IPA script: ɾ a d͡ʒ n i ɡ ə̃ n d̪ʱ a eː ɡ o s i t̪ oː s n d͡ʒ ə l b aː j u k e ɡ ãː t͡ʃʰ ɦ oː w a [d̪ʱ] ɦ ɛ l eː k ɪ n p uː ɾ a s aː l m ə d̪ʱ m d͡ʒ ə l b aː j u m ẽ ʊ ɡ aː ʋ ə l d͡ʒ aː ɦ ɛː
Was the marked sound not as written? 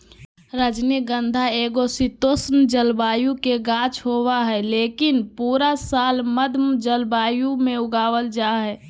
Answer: yes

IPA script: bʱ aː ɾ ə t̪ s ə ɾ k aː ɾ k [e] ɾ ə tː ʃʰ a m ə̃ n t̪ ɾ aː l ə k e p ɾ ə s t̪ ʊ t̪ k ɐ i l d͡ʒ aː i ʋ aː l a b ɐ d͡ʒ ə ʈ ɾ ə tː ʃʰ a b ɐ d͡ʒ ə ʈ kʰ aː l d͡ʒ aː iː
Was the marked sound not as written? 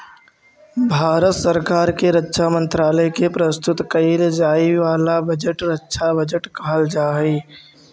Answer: no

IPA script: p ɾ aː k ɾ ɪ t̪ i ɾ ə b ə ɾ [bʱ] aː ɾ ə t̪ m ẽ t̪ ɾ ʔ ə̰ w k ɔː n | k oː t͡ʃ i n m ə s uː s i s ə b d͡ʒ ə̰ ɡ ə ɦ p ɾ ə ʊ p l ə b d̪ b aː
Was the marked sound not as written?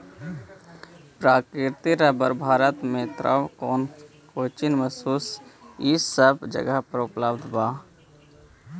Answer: no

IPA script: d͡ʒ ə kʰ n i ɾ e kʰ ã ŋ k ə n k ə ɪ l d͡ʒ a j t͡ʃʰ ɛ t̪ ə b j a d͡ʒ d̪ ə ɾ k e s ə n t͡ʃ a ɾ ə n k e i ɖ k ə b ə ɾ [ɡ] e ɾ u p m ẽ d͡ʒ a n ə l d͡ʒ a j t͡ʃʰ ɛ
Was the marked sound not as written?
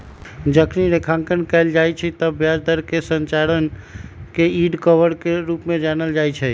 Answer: yes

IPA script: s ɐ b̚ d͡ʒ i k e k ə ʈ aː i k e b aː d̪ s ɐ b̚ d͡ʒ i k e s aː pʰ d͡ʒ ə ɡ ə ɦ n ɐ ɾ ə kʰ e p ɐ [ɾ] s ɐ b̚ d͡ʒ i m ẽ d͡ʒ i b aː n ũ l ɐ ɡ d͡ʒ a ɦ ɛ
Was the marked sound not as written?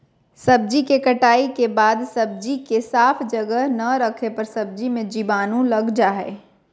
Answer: no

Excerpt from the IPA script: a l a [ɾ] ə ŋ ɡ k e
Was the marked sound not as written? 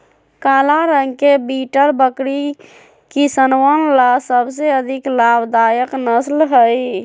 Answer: no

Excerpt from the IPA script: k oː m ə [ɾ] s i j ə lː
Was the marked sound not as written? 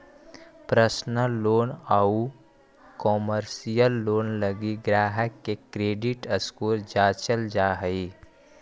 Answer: no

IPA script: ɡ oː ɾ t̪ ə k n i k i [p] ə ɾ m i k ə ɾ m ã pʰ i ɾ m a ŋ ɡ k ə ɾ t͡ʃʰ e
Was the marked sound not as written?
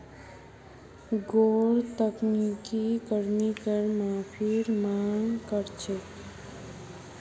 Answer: yes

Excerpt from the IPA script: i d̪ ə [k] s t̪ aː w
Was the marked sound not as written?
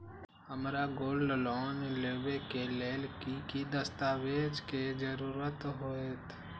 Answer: yes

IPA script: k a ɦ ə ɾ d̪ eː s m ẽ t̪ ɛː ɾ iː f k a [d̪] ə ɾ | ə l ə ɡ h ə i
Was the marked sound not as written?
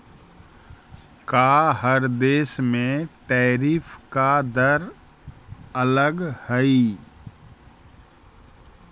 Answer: no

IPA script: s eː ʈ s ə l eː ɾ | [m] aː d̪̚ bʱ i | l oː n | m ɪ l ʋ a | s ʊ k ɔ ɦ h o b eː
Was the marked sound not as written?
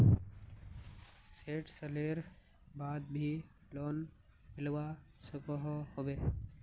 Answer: yes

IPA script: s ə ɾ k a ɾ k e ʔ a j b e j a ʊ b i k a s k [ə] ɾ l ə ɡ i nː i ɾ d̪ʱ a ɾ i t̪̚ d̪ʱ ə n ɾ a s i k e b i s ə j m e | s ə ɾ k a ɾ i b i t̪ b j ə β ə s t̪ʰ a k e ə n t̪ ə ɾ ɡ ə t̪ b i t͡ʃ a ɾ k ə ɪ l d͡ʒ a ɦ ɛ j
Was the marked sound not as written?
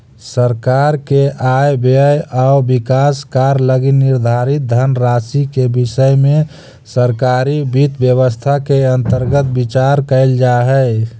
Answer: yes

